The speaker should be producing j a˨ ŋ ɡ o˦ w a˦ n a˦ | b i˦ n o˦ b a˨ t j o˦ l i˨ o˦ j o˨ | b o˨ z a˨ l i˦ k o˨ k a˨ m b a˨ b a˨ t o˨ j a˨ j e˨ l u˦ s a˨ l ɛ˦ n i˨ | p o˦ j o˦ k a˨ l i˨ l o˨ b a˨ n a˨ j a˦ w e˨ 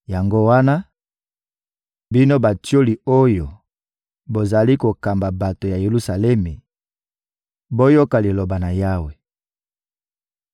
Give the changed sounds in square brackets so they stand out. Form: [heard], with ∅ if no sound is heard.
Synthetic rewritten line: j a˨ ŋ ɡ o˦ w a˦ n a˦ | b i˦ n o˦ b a˨ t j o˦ l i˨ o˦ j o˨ | b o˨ z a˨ l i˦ k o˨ k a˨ m b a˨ b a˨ t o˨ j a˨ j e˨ l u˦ s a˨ l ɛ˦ [m] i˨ | [b] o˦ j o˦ k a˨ l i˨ l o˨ b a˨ n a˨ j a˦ w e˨